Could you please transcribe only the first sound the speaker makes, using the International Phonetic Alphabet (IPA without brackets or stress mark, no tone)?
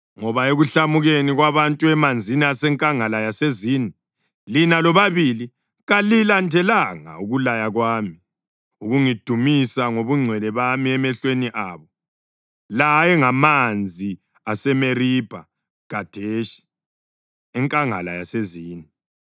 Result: ŋ